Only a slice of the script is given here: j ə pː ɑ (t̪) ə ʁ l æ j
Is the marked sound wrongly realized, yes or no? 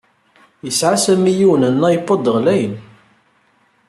yes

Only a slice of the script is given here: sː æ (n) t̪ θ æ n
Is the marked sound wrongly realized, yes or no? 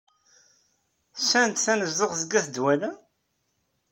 no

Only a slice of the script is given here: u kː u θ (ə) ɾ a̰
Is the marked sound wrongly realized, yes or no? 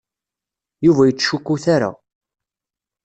yes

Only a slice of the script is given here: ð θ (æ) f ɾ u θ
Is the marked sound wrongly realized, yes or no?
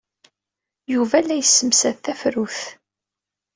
no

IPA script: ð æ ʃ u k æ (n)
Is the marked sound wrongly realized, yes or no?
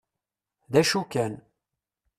no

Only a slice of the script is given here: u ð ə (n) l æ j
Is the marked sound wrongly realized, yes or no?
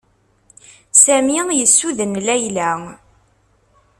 no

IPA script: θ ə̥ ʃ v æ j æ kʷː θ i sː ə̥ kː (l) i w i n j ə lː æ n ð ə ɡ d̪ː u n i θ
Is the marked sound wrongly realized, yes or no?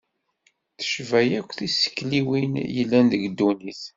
no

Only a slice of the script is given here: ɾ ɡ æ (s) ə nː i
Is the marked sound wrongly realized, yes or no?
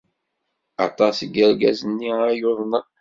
yes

